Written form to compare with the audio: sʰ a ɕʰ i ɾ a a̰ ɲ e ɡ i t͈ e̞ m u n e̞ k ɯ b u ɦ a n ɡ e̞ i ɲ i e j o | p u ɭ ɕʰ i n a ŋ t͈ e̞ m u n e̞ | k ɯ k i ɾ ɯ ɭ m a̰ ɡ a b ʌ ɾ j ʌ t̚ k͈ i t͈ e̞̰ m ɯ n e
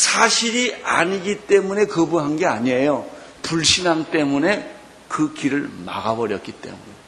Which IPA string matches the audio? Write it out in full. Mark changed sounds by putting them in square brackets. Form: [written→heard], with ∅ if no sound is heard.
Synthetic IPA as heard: sʰ a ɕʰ i ɾ [a→i] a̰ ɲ [e→i] ɡ i t͈ e̞ m u n e̞ k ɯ b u ɦ a n ɡ e̞ [i→a] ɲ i e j o | p u ɭ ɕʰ i n a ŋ t͈ e̞ m u n e̞ | k ɯ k i ɾ ɯ ɭ m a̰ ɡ a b ʌ ɾ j ʌ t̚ k͈ i t͈ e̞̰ m [ɯ→u] n e